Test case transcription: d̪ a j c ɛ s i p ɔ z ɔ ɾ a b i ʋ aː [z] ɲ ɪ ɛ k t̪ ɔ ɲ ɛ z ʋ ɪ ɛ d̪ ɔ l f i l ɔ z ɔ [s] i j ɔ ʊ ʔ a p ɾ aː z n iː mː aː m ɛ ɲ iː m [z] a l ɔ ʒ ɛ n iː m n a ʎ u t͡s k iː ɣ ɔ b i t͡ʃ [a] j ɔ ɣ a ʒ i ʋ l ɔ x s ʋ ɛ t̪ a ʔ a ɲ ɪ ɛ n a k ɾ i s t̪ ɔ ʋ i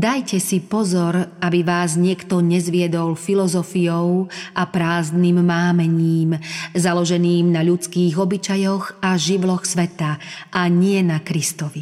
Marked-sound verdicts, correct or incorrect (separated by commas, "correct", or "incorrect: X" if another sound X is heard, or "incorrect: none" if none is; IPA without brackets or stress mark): correct, incorrect: f, correct, correct